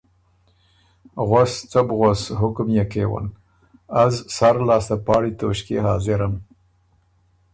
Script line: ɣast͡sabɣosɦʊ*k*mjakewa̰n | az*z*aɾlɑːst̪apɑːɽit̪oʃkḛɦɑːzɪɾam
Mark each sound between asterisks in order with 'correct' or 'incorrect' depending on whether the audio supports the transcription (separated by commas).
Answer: correct, incorrect